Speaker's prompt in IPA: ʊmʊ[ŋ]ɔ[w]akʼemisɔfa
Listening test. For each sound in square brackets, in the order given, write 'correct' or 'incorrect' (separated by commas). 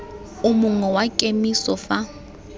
correct, correct